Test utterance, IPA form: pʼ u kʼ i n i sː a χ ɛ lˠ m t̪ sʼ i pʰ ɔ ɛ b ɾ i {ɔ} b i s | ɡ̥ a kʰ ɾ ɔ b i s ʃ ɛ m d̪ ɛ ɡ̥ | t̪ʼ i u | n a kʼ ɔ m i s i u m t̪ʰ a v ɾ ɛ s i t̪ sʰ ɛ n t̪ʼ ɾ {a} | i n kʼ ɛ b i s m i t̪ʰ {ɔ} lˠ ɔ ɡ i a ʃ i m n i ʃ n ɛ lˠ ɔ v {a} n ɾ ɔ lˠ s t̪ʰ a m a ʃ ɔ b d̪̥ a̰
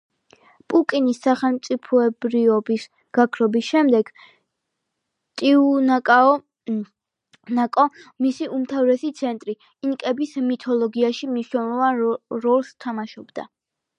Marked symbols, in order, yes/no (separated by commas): yes, no, yes, yes